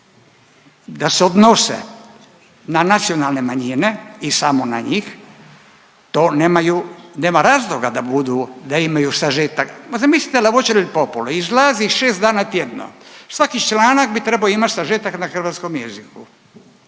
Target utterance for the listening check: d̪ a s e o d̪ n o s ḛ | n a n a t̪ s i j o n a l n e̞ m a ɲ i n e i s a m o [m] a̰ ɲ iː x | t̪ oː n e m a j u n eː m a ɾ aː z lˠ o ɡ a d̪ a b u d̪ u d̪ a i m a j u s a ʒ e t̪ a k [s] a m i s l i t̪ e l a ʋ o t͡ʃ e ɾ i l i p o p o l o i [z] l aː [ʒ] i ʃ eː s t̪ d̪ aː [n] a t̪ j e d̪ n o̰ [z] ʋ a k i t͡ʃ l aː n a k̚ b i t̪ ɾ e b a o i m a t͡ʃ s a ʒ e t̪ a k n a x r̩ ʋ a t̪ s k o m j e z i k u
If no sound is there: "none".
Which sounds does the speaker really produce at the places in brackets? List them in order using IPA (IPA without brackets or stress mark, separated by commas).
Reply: n, z, z, z, n, s